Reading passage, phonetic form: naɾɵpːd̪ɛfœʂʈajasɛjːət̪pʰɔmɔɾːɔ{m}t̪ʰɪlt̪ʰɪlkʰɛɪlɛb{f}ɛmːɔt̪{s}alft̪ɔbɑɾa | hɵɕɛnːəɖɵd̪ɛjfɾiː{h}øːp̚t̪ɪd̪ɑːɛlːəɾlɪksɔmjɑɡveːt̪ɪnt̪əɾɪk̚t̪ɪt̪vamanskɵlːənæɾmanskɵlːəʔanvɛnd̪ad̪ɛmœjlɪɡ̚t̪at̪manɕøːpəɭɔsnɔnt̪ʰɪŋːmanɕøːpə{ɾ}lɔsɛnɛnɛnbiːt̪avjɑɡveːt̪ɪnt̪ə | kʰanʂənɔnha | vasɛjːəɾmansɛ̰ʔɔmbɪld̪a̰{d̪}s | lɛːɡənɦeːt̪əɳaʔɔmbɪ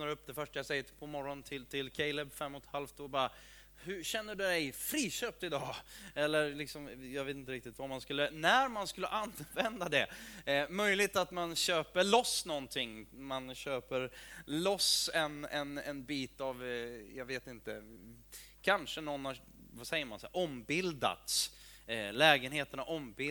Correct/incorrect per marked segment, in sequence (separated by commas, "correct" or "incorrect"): incorrect, correct, incorrect, incorrect, correct, incorrect